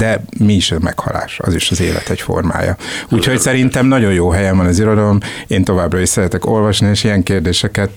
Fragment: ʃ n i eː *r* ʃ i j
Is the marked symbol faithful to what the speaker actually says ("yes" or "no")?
no